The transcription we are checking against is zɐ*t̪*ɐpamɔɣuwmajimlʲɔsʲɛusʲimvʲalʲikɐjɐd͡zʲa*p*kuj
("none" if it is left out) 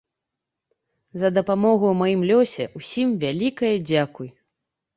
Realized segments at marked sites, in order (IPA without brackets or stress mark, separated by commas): d̪, none